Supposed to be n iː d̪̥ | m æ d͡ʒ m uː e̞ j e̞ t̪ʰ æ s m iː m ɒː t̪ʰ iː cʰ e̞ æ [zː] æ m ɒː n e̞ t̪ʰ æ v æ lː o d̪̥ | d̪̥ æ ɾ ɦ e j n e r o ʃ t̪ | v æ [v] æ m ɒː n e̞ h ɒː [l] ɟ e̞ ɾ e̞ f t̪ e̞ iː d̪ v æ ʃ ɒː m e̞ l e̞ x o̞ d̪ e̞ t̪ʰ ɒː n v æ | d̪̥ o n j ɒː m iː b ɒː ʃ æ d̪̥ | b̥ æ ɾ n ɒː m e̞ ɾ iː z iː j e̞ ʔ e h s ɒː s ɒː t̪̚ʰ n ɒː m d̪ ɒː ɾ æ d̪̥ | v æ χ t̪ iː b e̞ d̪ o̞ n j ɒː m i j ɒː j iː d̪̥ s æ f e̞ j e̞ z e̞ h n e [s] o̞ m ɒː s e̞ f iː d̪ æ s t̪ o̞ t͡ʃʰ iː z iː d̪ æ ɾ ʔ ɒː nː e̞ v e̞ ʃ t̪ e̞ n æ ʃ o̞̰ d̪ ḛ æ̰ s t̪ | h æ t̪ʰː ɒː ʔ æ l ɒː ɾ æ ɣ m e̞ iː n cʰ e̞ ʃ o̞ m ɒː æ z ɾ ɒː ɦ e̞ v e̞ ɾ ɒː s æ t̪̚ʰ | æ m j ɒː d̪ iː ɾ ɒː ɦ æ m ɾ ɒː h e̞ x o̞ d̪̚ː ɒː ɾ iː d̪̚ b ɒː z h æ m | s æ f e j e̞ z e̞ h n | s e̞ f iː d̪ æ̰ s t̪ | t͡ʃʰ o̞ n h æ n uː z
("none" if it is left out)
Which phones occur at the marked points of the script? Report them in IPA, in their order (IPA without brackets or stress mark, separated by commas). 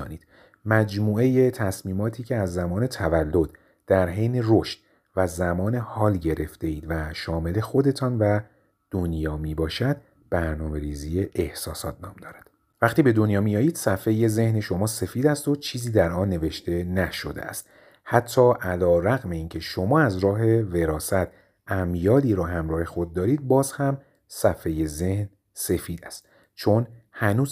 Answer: zː, z, l, ʃ